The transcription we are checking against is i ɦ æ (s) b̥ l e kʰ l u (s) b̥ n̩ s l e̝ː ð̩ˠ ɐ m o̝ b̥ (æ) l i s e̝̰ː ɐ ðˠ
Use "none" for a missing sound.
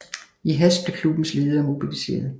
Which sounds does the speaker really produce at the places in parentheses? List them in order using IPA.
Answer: s, none, i

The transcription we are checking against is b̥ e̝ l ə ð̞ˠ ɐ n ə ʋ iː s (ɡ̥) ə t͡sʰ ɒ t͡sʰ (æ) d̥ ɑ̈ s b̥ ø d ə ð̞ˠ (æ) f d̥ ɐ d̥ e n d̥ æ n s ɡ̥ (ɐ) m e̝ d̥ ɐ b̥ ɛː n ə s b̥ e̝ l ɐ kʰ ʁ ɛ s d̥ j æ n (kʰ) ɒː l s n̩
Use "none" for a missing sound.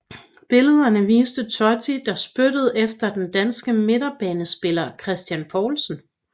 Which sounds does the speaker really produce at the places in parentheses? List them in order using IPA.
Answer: d̥, i, e, ə, pʰ

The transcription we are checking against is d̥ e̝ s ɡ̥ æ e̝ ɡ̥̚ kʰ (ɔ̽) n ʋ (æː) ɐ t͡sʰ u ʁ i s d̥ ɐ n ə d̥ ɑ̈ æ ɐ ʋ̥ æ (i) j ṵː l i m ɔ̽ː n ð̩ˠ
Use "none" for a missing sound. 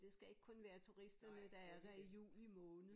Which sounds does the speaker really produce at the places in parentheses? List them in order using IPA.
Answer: ɔ̽, æː, i

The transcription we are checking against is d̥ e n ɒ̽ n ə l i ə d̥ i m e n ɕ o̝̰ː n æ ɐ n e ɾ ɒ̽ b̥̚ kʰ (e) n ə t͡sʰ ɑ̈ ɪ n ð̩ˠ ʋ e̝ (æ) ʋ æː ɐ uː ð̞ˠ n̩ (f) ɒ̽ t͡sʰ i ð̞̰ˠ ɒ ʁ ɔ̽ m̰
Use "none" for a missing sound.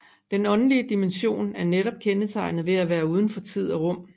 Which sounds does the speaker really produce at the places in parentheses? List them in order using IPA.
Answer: e, æ, f

